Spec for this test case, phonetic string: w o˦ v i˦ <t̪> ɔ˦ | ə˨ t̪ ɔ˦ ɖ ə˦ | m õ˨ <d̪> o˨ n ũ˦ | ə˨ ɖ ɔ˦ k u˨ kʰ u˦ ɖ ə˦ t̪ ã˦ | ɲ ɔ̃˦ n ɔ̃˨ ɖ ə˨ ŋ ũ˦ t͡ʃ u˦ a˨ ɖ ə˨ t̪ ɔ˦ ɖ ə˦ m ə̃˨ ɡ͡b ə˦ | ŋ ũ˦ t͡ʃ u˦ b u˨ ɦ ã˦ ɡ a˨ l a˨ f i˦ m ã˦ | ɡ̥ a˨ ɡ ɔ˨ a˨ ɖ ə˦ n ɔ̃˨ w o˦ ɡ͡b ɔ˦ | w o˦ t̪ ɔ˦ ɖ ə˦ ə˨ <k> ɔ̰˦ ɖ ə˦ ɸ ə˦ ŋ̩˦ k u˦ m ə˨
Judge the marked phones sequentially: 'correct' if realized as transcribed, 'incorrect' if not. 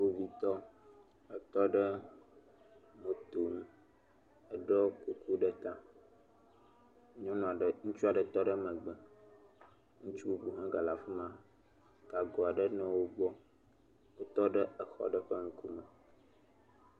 correct, incorrect, incorrect

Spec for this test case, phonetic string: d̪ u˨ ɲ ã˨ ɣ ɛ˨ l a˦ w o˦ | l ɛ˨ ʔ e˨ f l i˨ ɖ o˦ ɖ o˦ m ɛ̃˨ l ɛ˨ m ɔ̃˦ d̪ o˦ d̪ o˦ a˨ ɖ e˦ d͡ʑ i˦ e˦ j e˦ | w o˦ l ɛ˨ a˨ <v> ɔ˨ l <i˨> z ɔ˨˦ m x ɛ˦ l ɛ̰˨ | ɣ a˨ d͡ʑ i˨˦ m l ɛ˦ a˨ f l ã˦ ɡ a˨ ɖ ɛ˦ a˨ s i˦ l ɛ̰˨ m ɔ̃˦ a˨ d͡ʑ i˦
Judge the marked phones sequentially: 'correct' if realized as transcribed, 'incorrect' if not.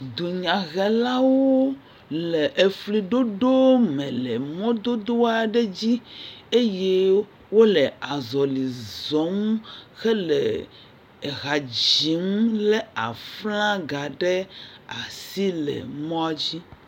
incorrect, correct

